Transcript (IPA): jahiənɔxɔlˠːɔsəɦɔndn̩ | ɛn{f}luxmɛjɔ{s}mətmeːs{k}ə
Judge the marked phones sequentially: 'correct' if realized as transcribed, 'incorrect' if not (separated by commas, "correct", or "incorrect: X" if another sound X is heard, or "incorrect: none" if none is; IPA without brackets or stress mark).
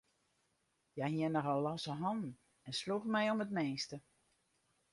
incorrect: s, incorrect: none, incorrect: t